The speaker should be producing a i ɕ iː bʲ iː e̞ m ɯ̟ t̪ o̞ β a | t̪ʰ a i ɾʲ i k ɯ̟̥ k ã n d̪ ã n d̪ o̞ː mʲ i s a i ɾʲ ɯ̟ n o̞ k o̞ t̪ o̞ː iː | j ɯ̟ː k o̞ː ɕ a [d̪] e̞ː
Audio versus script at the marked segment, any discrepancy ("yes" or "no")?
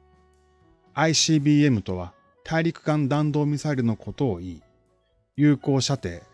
yes